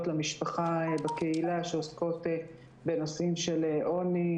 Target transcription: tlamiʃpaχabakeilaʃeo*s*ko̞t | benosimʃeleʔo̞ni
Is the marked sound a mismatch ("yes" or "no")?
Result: no